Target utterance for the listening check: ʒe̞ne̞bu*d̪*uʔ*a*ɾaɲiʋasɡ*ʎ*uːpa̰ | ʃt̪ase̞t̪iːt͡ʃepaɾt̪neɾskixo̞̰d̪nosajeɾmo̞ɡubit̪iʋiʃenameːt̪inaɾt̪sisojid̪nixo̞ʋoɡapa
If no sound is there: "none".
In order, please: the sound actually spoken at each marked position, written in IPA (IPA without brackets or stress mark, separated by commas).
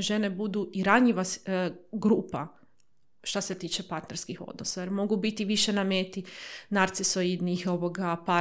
d̪, i, ɾ